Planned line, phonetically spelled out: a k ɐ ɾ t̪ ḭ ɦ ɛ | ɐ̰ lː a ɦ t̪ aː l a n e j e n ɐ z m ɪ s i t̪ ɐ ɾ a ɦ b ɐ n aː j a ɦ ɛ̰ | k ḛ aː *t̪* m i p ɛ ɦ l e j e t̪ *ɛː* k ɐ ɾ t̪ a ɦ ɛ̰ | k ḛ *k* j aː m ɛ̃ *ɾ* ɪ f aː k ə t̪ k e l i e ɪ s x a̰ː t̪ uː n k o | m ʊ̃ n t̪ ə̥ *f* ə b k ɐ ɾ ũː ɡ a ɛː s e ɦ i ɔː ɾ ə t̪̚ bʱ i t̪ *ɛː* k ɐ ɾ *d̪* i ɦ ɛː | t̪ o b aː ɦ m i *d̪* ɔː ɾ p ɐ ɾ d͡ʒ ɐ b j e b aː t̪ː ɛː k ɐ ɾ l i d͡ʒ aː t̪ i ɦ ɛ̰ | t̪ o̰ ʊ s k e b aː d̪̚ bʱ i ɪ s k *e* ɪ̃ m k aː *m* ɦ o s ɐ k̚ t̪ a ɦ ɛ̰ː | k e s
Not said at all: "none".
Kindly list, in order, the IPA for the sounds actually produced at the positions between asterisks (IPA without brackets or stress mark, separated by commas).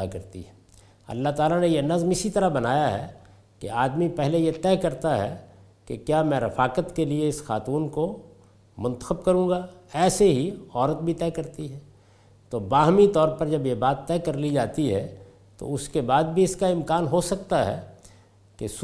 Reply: d̪, ɛː, k, ɾ, x, ɛː, t̪, t̪, a, n